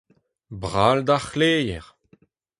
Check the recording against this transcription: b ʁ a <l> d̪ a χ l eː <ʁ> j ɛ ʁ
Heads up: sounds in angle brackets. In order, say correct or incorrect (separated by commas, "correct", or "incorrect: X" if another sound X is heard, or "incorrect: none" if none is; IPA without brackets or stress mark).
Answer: correct, incorrect: none